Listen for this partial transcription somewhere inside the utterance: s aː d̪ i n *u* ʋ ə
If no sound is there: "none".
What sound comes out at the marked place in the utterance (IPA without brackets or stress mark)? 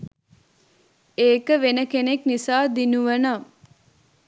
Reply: u